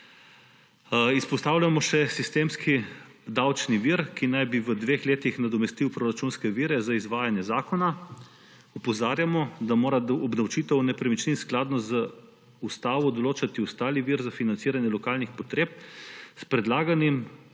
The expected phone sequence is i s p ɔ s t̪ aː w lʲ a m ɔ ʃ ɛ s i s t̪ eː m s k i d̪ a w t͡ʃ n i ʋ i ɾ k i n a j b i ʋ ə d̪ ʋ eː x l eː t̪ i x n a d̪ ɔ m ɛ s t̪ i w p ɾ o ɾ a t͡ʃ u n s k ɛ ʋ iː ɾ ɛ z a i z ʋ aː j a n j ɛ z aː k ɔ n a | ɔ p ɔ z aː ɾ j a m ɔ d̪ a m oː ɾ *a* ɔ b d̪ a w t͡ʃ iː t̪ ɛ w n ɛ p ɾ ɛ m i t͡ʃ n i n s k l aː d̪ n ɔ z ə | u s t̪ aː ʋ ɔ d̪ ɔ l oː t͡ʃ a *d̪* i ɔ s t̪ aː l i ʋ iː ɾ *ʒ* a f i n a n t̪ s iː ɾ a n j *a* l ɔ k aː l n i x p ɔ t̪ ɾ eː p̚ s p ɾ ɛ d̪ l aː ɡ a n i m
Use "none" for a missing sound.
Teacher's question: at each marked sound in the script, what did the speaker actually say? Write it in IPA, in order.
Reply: a, t̪, z, ɛ

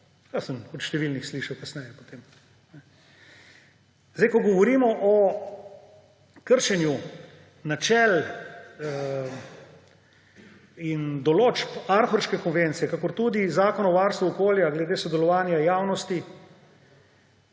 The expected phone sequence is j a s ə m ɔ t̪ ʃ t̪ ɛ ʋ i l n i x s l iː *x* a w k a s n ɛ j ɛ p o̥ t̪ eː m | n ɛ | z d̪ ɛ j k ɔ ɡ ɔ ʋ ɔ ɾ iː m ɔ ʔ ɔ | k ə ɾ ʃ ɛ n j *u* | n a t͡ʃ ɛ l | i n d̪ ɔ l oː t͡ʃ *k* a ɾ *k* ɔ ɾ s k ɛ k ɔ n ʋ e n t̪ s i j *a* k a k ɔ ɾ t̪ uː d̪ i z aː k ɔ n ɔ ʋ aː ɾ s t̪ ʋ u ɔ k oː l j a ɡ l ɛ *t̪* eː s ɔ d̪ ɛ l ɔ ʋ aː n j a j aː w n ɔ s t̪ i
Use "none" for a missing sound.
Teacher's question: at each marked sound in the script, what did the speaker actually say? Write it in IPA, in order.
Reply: ʃ, u, p, x, ɛ, d̪

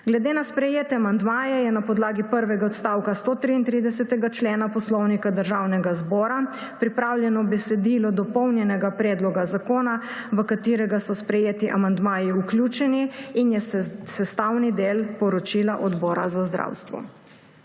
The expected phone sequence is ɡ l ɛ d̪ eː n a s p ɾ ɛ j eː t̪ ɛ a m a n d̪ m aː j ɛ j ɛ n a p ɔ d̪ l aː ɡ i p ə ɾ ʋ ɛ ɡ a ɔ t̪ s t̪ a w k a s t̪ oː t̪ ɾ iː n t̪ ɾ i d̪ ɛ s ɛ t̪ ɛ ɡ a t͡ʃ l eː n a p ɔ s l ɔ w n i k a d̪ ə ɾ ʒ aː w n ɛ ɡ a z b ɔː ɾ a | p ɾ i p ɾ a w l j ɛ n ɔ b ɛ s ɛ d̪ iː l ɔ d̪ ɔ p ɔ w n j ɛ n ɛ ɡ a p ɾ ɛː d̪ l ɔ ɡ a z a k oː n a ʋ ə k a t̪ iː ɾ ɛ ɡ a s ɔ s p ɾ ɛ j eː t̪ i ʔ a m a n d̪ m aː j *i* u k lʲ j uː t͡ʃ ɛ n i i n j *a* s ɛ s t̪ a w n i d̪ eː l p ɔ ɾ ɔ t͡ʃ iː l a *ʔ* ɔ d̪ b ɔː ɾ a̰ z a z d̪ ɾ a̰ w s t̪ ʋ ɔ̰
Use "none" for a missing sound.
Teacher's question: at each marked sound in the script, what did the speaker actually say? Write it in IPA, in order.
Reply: i, ɛ, ʔ

